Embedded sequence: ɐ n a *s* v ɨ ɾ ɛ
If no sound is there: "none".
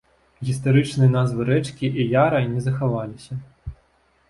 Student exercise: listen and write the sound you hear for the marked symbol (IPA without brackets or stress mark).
z